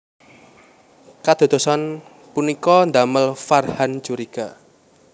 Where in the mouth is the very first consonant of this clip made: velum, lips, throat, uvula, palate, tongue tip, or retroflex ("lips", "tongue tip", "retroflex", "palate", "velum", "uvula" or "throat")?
velum